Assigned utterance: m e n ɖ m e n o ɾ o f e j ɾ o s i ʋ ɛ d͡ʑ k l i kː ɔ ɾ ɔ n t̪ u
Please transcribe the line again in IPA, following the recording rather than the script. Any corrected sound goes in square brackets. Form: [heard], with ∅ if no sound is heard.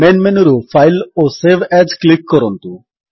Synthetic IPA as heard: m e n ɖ m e n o ɾ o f [a] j [l] o s [e] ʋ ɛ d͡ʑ k l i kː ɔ ɾ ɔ n t̪ u

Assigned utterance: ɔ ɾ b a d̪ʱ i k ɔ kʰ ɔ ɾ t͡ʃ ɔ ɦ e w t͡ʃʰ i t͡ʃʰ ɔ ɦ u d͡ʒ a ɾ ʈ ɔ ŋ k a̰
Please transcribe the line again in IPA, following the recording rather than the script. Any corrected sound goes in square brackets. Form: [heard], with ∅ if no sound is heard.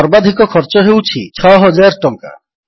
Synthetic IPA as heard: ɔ ɾ b a d̪ʱ i k ɔ kʰ ɔ ɾ t͡ʃ ɔ ɦ e w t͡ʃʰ i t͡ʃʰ ɔ ɦ [ɔ] d͡ʒ a ɾ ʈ ɔ ŋ k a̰

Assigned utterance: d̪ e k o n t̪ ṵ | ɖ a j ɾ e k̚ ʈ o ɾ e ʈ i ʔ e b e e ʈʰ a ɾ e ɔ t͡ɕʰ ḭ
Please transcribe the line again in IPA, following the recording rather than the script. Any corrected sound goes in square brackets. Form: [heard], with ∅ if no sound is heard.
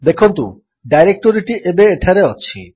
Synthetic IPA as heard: d̪ e [kʰ] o n t̪ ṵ | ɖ a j ɾ e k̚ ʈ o ɾ [i] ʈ i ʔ e b e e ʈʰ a ɾ e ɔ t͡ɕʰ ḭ

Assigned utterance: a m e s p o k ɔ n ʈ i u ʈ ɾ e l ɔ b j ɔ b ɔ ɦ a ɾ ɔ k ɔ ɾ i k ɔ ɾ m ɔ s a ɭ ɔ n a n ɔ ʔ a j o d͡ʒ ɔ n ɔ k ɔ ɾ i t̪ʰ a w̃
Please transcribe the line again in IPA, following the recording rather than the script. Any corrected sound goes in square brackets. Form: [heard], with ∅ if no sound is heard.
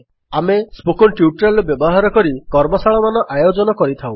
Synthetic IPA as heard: a m e s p o k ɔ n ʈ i u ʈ ɾ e l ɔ b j ɔ b ɔ ɦ a ɾ ɔ k ɔ ɾ i k ɔ ɾ m ɔ s a ɭ ɔ [m] a n ɔ ʔ a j o d͡ʒ ɔ n ɔ k ɔ ɾ i t̪ʰ a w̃

